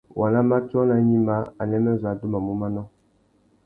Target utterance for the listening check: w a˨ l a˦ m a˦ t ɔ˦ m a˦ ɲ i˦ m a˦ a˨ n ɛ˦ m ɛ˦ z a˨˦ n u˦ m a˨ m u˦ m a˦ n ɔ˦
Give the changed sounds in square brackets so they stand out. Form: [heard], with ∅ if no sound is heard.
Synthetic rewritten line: w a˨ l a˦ m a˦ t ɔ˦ [n] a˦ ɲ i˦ m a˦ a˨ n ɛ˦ m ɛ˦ z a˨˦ [d] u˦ m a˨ m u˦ m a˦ n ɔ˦